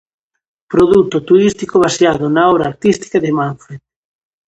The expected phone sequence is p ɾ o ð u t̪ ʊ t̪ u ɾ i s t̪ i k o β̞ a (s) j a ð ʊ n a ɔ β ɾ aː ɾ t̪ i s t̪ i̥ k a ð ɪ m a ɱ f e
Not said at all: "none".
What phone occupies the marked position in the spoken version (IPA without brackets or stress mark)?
s